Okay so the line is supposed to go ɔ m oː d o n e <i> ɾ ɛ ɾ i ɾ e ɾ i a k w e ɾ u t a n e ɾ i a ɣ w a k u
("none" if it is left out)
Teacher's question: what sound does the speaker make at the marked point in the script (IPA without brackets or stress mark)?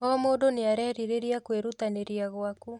a